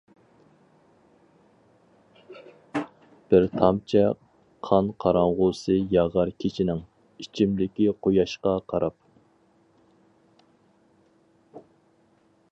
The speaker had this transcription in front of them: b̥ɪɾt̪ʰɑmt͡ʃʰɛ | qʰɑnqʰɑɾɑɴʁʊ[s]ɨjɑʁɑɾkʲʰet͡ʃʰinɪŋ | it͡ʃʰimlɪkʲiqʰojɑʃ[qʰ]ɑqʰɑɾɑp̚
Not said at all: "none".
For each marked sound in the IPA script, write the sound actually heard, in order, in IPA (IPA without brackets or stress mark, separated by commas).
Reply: s, q